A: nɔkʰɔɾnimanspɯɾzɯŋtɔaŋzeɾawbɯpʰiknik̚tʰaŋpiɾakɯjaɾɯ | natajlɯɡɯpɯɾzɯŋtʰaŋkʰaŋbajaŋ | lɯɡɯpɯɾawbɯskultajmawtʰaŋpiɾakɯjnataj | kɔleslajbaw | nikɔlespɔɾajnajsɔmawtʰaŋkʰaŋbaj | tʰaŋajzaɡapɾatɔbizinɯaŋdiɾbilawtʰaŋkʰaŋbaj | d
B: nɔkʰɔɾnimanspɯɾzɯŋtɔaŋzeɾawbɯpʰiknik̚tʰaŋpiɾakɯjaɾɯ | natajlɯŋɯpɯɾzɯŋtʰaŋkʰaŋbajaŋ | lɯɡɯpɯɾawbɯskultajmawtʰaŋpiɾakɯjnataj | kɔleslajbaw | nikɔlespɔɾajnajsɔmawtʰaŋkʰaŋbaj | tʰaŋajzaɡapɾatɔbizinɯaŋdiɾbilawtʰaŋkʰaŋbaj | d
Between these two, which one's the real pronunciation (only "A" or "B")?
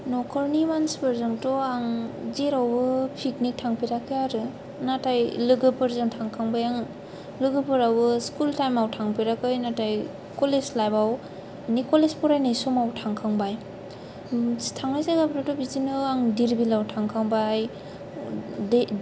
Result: A